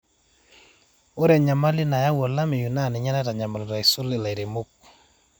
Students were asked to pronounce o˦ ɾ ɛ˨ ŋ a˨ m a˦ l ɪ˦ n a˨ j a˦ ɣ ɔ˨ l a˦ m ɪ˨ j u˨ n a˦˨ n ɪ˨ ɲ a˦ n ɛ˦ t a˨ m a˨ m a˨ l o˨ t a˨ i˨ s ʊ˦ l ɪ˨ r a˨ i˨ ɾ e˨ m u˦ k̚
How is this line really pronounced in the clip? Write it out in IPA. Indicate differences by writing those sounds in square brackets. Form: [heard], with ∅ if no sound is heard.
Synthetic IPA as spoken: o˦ ɾ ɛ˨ [ɲ] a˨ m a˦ l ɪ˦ n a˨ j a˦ [w] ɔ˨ l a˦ m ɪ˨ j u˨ n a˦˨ n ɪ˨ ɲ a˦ n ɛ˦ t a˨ [ɲ] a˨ m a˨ l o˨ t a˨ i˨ s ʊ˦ l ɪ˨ [l] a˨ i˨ ɾ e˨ m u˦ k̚